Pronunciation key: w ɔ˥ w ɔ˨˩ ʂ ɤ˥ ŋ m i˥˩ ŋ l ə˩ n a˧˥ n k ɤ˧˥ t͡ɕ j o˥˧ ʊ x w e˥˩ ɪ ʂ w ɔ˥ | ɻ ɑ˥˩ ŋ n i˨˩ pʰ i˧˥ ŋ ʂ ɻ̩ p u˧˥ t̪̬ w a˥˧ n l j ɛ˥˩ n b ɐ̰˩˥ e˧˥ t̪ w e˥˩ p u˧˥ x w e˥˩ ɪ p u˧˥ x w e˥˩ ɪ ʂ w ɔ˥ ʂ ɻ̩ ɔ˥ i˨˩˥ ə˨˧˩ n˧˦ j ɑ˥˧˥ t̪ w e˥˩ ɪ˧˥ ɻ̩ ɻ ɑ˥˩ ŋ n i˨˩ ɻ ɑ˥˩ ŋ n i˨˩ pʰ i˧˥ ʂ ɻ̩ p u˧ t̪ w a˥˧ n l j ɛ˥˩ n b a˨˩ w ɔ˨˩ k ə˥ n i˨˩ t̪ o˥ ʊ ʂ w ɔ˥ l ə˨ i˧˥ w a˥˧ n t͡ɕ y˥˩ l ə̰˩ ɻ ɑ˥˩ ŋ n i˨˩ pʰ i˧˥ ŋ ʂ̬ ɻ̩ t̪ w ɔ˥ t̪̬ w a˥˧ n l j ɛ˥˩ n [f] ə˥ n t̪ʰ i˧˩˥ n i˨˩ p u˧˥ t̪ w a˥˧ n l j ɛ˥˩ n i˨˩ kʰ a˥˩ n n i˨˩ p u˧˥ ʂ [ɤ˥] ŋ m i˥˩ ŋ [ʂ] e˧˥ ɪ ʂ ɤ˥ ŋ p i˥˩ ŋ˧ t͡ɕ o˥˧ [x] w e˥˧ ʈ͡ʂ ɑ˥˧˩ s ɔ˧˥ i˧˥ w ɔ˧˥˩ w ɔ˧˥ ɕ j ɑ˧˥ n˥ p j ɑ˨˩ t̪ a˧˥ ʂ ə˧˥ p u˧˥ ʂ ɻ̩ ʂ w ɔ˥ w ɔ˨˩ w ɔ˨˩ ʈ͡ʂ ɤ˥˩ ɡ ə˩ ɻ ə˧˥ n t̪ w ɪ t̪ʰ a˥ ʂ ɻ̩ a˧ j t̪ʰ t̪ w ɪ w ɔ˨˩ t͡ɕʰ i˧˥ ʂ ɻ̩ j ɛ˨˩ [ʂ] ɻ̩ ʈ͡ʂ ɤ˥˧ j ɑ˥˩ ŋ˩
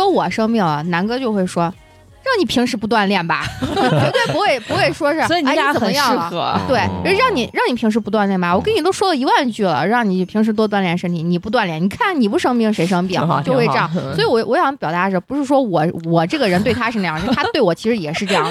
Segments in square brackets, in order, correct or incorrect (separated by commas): incorrect, correct, correct, correct, correct